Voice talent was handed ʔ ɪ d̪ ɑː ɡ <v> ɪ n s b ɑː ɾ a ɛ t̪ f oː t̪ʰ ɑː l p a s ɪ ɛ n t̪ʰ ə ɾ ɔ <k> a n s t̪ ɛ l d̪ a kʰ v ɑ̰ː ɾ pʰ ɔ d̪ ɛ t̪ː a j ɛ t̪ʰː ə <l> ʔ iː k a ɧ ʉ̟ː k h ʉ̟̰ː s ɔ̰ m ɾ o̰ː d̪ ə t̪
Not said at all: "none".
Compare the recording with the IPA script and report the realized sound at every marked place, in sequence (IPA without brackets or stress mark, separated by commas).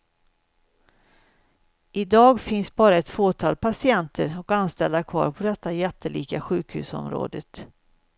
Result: f, k, l